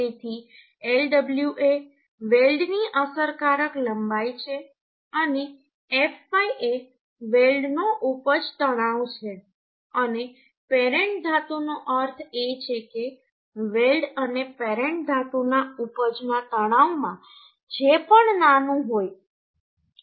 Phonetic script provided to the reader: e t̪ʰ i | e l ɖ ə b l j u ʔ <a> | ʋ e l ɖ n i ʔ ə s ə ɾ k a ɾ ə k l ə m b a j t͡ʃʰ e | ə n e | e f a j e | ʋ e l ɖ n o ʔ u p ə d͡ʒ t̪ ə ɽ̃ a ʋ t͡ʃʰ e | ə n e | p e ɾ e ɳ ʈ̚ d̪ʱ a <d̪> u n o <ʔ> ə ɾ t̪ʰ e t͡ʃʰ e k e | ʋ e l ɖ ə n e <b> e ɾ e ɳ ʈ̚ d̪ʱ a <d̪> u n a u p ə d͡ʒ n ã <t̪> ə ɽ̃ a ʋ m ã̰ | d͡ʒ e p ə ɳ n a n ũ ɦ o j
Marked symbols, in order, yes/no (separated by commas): no, no, yes, no, no, yes